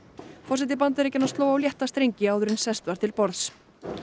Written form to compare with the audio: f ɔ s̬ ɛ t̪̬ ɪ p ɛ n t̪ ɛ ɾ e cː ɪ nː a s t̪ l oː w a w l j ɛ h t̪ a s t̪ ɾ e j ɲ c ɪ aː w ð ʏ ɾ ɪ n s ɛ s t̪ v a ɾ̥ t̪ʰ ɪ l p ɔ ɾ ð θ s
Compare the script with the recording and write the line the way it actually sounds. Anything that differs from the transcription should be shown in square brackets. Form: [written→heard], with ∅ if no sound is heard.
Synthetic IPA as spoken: f ɔ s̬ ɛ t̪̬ ɪ p [ɛ→a] n t̪ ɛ ɾ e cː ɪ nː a s t̪ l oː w a w l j ɛ h t̪ a s t̪ ɾ e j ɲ c ɪ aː w ð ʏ ɾ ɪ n s ɛ s t̪ v a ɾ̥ t̪ʰ ɪ l p ɔ ɾ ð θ s